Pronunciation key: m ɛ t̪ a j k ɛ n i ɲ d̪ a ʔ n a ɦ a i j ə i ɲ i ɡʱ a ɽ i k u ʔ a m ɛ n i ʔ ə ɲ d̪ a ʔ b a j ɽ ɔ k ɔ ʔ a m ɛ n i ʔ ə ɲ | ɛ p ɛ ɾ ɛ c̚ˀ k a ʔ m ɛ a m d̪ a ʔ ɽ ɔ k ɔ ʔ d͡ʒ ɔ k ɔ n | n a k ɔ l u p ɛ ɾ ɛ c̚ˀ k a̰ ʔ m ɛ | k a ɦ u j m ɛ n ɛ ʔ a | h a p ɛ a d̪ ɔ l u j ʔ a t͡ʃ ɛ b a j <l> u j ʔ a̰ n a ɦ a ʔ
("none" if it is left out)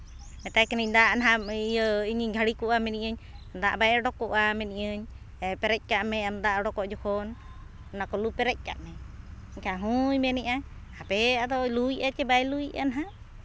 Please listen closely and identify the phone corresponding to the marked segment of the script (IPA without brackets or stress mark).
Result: l